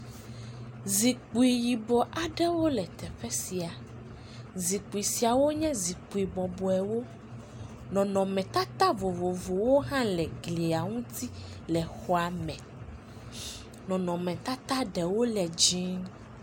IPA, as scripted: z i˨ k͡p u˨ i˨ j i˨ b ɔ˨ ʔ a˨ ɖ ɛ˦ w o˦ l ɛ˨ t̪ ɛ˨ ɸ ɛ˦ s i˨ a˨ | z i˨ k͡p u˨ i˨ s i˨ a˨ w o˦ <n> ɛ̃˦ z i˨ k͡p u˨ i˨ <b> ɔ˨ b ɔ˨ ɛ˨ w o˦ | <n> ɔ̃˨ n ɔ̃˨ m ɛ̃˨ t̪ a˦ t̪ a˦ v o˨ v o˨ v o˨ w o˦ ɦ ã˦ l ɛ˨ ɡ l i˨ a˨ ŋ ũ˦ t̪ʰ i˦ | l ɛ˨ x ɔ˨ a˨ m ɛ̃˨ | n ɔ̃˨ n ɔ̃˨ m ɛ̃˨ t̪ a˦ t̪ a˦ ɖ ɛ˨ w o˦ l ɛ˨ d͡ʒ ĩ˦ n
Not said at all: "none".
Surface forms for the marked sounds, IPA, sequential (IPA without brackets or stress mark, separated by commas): ɲ, b, n